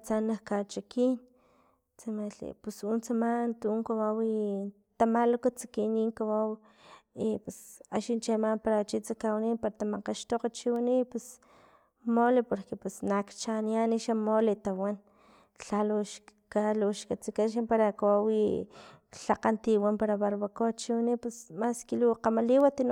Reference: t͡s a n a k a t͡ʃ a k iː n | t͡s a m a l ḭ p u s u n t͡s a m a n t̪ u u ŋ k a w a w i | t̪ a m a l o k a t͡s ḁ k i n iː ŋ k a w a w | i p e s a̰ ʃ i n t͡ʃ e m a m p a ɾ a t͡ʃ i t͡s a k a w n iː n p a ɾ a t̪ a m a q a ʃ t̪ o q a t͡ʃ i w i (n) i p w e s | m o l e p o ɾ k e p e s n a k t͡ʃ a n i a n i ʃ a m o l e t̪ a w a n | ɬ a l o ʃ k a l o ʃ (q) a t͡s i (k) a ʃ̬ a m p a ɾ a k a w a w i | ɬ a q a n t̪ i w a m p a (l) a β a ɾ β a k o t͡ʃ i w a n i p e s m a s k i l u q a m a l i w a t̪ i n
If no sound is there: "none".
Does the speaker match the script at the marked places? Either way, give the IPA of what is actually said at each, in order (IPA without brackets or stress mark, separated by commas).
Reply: n, k, k, ɾ